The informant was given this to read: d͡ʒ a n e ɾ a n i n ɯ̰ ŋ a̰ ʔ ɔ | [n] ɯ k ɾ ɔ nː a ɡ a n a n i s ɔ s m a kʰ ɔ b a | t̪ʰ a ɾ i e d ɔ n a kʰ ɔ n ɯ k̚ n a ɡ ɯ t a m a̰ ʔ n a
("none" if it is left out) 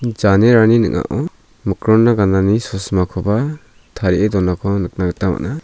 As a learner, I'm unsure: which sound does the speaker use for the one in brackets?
m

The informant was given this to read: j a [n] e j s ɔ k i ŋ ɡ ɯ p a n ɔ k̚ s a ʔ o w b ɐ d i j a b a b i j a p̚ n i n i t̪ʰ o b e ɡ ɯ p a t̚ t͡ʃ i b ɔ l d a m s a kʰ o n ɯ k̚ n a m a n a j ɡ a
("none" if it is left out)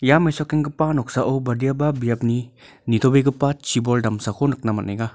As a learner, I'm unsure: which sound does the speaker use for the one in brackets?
m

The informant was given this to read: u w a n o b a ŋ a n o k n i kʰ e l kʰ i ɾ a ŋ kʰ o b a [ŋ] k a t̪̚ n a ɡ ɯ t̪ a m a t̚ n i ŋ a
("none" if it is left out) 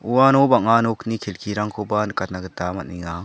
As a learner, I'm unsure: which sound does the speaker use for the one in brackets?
n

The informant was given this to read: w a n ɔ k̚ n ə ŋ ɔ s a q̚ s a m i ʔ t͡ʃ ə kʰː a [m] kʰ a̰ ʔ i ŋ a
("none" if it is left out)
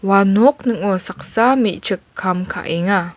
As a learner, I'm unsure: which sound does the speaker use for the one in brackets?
m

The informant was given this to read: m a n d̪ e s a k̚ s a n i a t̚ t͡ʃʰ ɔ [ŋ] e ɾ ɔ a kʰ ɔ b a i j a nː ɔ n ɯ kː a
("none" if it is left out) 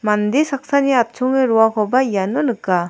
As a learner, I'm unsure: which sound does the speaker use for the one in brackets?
ŋ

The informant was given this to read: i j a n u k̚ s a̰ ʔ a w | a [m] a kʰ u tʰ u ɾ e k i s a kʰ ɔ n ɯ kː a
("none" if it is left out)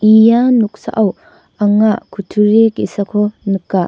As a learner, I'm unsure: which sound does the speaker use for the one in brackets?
ŋ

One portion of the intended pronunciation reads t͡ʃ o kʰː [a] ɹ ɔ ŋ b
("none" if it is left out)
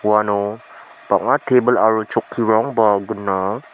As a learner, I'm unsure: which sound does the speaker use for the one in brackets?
i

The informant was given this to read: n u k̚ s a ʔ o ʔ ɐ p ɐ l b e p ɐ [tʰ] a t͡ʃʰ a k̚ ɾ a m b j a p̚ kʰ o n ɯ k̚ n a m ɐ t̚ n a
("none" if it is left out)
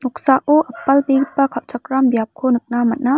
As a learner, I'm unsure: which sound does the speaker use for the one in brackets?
kʰ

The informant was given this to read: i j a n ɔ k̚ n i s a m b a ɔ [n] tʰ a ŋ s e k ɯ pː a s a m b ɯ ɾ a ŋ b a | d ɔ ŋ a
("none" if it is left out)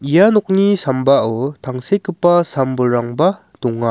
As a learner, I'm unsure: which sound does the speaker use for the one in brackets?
none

